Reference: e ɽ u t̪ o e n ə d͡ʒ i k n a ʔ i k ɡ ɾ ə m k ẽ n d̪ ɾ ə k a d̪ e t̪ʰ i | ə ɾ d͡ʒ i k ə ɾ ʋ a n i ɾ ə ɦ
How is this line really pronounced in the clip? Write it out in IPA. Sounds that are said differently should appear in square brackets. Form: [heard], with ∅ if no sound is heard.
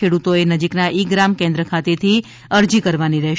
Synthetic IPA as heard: e ɽ u t̪ o e n ə d͡ʒ i k n a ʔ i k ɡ ɾ [a] m k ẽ n d̪ ɾ ə [kʰ] a [t̪] e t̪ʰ i | ə ɾ d͡ʒ i k ə ɾ ʋ a n i ɾ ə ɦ